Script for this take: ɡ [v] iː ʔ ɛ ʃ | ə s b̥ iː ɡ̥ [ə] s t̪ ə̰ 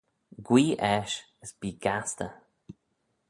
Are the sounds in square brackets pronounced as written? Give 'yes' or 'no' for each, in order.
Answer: no, no

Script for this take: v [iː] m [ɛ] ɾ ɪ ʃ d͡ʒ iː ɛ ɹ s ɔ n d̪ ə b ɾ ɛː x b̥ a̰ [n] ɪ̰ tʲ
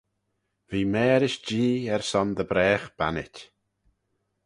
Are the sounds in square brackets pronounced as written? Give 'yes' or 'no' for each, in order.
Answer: yes, no, yes

